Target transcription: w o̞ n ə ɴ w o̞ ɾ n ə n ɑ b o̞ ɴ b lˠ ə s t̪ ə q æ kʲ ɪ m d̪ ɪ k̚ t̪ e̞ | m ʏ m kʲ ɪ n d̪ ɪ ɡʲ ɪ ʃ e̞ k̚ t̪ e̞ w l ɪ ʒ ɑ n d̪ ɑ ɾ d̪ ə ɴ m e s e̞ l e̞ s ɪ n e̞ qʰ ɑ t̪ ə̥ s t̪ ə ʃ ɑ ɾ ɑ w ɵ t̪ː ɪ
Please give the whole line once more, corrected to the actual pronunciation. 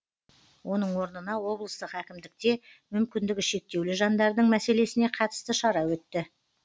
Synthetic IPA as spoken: w o̞ n ə ɴ w o̞ ɾ n ə n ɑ w o̞ b lˠ ə s t̪ ə q æ kʲ ɪ m d̪ ɪ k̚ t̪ e̞ | m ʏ m kʲ ɪ n d̪ ɪ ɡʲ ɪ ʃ e̞ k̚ t̪ e̞ w l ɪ ʒ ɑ n d̪ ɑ ɾ d̪ ə ɴ m æ s e̞ l e̞ s ɪ n e̞ qʰ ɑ t̪ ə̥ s t̪ ə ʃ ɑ ɾ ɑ w ɵ t̪ː ɪ